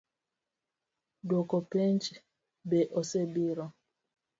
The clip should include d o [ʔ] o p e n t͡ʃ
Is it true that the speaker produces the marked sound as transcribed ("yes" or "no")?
no